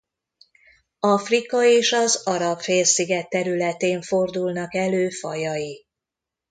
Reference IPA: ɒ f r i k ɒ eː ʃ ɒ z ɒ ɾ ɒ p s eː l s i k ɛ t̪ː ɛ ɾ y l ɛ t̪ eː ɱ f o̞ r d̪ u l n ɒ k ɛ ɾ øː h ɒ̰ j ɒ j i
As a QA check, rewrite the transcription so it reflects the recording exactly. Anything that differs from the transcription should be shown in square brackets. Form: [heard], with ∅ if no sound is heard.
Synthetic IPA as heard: ɒ f r i k ɒ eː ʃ ɒ z ɒ ɾ ɒ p [f] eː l s i [ɡ] ɛ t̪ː ɛ ɾ y l ɛ t̪ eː ɱ f o̞ r d̪ u l n ɒ k ɛ [l] øː [f] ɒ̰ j ɒ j i